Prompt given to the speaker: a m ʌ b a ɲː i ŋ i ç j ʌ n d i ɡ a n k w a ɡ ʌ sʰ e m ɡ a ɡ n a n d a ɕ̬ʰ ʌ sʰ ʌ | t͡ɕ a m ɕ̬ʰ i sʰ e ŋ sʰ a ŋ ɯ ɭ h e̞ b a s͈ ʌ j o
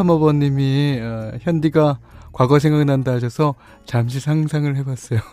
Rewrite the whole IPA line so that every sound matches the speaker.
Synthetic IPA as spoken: a m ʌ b ʌ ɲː i m i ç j ʌ n d i ɡ a k w a ɡ ʌ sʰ e ŋ ɡ a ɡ n a n d a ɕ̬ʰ ʌ sʰ ʌ | t͡ɕ a m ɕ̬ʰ i sʰ a ŋ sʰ a ŋ ɯ ɭ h e̞ b a s͈ ʌ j o